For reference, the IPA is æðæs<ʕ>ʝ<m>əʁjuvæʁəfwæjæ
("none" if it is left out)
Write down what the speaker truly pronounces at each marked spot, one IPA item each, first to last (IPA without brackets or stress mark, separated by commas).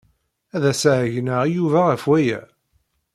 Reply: ʕ, n